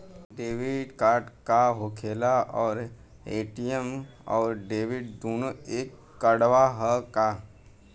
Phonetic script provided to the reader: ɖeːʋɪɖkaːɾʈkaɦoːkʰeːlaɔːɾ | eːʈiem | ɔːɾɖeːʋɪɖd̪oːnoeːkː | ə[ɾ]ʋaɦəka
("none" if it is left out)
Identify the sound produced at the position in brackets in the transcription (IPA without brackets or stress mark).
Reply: ɽ